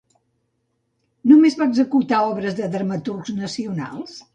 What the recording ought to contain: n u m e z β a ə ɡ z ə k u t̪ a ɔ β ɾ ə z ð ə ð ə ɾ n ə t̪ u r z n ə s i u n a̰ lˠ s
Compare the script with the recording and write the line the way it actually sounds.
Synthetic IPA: n u m e z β a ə ɡ z ə k u t̪ a ɔ β ɾ ə z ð ə ð ə ɾ m ə t̪ u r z n ə s i u n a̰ lˠ s

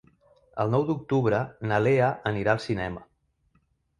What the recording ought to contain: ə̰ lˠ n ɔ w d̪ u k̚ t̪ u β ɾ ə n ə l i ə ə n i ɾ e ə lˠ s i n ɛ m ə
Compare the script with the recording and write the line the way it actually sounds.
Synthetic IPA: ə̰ lˠ n ɔ w d̪ u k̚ t̪ u β ɾ ə n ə l e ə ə n i ɾ a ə lˠ s i n ɛ m ə

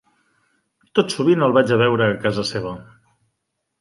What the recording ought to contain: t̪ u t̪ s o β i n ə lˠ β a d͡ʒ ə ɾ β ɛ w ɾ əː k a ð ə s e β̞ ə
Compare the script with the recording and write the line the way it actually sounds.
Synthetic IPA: t̪ o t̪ s u β i n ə lˠ β a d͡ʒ ə β ɛ w ɾ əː k a z ə s e β̞ ə

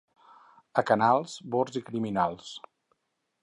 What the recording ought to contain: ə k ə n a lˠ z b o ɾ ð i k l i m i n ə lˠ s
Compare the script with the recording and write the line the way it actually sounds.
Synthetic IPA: ə k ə n a lˠ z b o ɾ z i k ɾ i m i n a lˠ s

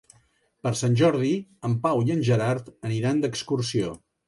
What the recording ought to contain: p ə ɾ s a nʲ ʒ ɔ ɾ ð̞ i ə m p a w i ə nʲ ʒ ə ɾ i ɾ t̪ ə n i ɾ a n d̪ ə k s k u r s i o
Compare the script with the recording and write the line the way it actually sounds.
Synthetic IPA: p ə ɾ s a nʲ ʒ ɔ ɾ ð̞ i ə m p a w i ə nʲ ʒ ə ɾ a ɾ t̪ ə n i ɾ a n d̪ ə k s k u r s i o

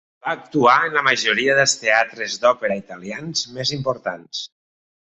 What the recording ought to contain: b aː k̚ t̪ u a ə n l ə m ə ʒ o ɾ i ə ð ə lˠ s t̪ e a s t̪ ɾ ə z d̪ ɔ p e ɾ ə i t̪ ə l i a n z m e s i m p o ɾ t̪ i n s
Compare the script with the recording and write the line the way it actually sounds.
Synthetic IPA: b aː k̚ t̪ u a ə n l ə m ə ʒ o ɾ i ə ð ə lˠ s t̪ e a t̪ ɾ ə z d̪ ɔ p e ɾ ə i t̪ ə l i a n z m e z i m p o ɾ t̪ a n s

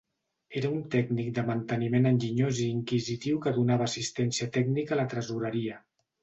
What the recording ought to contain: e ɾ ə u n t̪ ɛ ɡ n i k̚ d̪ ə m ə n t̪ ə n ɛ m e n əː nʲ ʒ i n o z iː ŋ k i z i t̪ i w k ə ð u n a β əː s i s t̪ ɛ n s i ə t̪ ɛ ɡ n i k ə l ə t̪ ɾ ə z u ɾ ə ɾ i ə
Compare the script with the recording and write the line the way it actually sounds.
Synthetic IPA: e ɾ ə u n t̪ ɛ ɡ n i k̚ d̪ ə m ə n t̪ ə n i m e n ə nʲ ʒ i ɲ o z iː ŋ k i z i t̪ i w k ə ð u n a β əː s i s t̪ ɛ n s i ə t̪ ɛ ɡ n i k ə l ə t̪ ɾ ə z u ɾ ə ɾ i ə

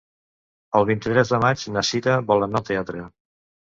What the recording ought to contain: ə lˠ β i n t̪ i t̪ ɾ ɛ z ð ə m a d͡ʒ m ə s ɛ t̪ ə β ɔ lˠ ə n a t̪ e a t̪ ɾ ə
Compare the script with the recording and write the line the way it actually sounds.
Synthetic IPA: ə lˠ β i n t̪ i t̪ ɾ ɛ z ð ə m a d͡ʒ n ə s i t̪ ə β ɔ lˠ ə n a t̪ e a t̪ ɾ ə

